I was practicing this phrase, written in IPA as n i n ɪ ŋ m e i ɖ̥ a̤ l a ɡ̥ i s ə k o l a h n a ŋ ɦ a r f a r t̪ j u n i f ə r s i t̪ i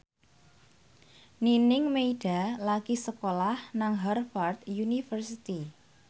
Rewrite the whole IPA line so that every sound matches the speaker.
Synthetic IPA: n i n ɪ ŋ m e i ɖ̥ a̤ l a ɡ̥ i s ə k o l a h n a ŋ ɦ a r f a r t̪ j u n i f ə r s i t̪ i

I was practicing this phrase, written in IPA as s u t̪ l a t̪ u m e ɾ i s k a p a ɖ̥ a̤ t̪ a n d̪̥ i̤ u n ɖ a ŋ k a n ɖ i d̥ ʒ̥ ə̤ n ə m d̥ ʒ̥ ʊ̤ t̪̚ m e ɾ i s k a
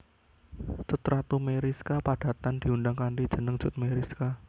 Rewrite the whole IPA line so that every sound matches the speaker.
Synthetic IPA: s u t̪ ɾ a t̪ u m e ɾ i s k a p a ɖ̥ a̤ t̪ a n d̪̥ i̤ u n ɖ a ŋ k a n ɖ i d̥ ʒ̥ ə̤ n ə ŋ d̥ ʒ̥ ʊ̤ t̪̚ m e ɾ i s k a

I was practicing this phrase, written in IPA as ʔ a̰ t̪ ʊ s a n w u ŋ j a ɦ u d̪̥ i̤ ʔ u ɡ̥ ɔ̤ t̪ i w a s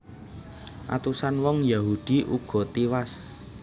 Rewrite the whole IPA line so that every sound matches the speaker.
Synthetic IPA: ʔ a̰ t̪ u s a n w ɔ ŋ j a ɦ u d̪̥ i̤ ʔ u ɡ̥ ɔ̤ t̪ i w a s

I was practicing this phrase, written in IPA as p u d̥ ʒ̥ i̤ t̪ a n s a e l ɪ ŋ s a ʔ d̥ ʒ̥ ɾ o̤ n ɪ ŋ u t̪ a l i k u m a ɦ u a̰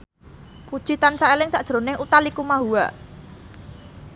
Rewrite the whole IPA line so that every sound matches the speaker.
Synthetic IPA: p u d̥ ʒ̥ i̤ t̪ a n s a e l ɪ ŋ s a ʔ d̥ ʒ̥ ɾ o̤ n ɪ ŋ u t̪ a l i k u m a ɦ u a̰

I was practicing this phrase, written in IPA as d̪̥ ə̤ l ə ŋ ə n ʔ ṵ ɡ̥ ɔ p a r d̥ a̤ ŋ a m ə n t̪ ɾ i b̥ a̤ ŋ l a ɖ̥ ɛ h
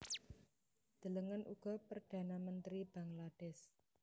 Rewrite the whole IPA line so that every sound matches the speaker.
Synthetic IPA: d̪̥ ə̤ l ə ŋ ə n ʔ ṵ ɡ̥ ɔ p ə r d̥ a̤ n a m ə n t̪ ɾ i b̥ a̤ ŋ l a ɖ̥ ɛ s

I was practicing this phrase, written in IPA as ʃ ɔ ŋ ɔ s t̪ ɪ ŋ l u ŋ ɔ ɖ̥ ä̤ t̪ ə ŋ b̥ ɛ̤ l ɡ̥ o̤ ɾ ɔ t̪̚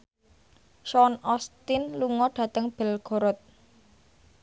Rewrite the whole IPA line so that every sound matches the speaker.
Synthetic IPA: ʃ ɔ n ɔ s t̪ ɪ n l u ŋ ɔ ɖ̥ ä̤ t̪ ə ŋ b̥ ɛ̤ l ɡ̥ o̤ ɾ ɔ t̪̚

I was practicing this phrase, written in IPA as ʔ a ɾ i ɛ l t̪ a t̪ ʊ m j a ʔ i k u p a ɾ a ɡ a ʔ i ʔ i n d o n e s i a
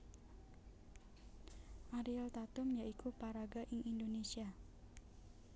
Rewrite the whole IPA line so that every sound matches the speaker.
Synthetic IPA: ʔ a ɾ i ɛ l t̪ a t̪ ʊ m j a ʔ i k u p a ɾ a ɡ a ʔ i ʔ i n d o n e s i a

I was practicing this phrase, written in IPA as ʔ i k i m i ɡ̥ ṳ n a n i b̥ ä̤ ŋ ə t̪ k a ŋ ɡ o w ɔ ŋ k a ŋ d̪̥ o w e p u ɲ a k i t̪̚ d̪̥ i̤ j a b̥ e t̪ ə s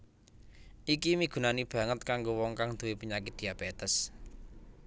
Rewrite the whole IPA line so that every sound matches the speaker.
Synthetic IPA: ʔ i k i m i ɡ̥ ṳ n a n i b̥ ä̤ ŋ ə t̪ k a ŋ ɡ o w ɔ ŋ k a ŋ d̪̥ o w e p u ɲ a k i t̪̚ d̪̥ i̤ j a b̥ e t̪ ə s

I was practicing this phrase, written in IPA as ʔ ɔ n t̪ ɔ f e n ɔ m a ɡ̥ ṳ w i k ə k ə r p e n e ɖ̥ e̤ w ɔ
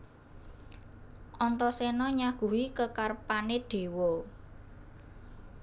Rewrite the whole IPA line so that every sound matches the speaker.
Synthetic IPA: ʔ ɔ n t̪ ɔ s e n ɔ ɲ a ɡ̥ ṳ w i k ə k a r p a n e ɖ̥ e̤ w ɔ

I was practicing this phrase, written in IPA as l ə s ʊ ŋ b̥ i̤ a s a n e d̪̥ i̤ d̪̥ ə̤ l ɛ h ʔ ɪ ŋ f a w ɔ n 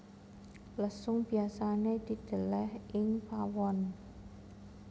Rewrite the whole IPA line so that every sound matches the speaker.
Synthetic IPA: l ə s ʊ ŋ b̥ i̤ a s a n e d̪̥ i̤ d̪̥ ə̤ l ɛ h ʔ ɪ ŋ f a w ɔ n

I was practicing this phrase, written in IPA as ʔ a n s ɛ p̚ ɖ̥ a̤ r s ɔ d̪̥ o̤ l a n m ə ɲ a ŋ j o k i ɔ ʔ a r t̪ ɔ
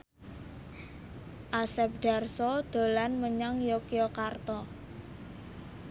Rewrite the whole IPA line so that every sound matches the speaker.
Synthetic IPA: ʔ a s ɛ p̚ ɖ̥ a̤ r s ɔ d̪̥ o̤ l a n m ə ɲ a ŋ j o k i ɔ k a r t̪ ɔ

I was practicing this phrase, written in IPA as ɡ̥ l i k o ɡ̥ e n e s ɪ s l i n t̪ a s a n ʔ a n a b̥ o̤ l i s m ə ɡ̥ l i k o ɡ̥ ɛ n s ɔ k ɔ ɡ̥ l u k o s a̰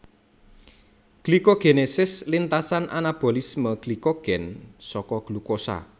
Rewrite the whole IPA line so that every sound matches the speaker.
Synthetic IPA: ɡ̥ l i k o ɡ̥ e n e s ɪ s l i n t̪ a s a n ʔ a n a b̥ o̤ l i s m ə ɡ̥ l i k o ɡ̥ ɛ n s ɔ k ɔ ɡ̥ l u k o s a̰

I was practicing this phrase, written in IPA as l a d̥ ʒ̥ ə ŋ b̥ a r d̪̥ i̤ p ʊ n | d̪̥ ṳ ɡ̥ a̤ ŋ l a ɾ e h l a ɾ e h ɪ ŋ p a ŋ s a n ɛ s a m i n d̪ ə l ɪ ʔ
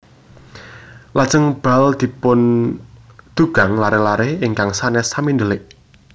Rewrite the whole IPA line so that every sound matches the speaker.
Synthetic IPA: l a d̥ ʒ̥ ə ŋ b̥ a l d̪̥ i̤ p ʊ n | d̪̥ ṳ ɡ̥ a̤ ŋ l a ɾ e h l a ɾ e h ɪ ŋ k a ŋ s a n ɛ s a m i n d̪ ə l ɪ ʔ

